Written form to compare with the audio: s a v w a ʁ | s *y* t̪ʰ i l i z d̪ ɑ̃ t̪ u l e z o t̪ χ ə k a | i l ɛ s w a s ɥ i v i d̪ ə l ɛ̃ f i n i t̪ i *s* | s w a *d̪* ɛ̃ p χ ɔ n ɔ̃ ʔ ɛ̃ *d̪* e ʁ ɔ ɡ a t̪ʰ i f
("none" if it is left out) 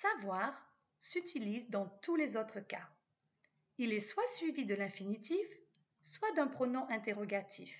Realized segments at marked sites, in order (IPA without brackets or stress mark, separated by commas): y, f, d̪, t̪